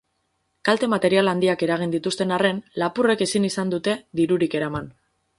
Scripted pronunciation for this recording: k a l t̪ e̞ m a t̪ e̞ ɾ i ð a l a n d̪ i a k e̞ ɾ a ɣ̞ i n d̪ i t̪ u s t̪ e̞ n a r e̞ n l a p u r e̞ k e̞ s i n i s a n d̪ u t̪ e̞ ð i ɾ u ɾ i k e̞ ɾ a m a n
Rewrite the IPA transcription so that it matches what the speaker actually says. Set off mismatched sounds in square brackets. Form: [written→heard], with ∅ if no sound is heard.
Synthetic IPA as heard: k a l t̪ e̞ m a t̪ e̞ ɾ i [ð→∅] a l a n d̪ i a k e̞ ɾ a ɣ̞ i n d̪ i t̪ u s t̪ e̞ n a r e̞ n l a p u r e̞ k e̞ s i n i s a n d̪ u t̪ e̞ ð i ɾ u ɾ i k e̞ ɾ a m a n